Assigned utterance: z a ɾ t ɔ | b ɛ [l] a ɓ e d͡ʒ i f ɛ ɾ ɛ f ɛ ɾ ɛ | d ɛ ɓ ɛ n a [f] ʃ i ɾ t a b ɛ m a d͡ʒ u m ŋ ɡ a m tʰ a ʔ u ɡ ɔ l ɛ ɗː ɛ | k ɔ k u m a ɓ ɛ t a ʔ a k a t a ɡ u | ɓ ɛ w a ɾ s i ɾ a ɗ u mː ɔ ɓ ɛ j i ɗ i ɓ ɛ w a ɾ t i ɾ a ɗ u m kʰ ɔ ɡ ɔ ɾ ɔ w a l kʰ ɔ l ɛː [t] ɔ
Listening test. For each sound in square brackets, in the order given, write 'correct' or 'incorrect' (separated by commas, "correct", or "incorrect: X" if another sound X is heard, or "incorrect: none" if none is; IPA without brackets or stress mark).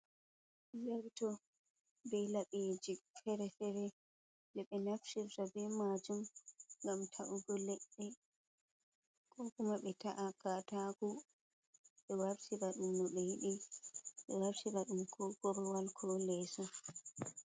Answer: correct, correct, incorrect: s